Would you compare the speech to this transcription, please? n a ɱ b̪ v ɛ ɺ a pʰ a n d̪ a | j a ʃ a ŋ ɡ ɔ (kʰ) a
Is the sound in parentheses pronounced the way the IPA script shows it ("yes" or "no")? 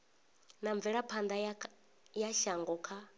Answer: yes